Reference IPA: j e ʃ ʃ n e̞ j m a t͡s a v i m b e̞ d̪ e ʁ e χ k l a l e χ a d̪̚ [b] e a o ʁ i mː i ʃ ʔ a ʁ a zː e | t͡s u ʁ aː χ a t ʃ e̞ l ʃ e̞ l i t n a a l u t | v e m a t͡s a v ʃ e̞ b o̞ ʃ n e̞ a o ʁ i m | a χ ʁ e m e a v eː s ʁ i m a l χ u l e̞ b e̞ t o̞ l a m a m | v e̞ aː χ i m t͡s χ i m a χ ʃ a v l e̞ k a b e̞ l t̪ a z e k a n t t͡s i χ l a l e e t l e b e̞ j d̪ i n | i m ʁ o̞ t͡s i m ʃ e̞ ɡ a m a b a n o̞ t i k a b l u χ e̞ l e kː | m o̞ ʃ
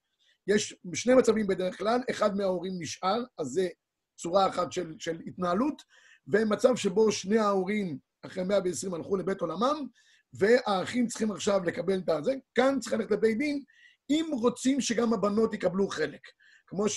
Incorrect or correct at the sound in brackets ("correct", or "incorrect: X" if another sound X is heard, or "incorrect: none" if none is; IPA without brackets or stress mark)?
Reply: incorrect: m